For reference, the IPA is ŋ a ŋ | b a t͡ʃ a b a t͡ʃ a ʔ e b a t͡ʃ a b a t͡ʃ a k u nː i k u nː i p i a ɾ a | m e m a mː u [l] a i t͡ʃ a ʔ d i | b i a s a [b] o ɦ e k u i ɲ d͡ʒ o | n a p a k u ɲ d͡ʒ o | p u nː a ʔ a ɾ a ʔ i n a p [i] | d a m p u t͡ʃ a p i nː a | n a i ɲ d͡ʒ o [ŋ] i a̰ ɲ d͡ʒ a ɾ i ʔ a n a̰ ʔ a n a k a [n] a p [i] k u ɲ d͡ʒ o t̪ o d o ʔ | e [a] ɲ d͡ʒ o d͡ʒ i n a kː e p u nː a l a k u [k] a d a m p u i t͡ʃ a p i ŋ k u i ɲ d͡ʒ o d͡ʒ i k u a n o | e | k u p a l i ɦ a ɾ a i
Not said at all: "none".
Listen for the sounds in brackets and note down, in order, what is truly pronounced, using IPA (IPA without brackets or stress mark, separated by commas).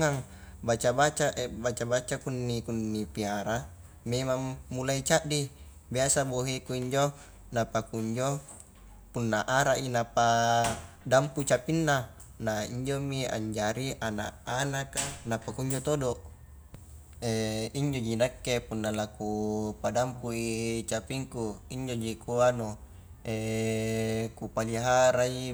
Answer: l, b, a, m, n, a, i, p